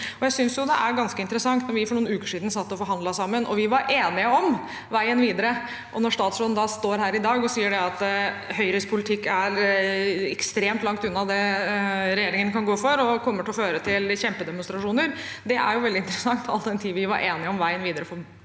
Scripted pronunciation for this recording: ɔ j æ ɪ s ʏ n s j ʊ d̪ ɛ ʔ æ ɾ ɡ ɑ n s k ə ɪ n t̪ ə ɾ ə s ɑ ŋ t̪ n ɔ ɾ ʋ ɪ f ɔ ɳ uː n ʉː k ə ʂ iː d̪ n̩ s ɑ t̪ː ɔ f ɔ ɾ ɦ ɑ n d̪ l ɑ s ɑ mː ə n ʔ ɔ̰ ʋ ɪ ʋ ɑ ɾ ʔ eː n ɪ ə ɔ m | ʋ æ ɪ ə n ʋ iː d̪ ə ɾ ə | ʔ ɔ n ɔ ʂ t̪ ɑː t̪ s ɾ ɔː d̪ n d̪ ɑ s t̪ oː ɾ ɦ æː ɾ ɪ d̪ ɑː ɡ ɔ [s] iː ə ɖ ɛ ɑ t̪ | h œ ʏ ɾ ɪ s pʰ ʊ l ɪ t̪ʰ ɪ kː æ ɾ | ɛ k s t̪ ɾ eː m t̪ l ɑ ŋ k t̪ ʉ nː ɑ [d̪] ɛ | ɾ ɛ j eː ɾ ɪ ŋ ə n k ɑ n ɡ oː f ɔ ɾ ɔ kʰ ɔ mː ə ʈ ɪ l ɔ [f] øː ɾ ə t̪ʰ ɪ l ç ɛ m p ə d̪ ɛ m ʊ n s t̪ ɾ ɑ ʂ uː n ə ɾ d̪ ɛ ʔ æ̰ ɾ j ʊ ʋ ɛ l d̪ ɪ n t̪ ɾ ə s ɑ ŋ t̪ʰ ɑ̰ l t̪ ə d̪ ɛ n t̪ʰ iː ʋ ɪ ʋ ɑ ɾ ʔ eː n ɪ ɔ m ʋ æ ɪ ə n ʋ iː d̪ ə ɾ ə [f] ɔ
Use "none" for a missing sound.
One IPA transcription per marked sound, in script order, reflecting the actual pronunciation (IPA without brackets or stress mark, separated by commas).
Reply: s, d̪, f, f